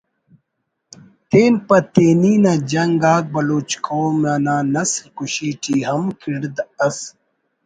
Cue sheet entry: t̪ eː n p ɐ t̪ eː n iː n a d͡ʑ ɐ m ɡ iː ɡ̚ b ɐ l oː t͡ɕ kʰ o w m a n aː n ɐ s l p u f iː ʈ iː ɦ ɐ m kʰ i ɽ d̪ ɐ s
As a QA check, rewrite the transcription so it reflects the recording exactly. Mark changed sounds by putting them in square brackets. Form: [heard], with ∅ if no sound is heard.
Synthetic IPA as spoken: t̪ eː n p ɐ t̪ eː n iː n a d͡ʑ ɐ [ŋ] ɡ [aː] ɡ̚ b ɐ l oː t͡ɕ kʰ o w m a n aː n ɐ s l [k] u [ɕ] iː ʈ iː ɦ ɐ m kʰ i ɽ d̪ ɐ s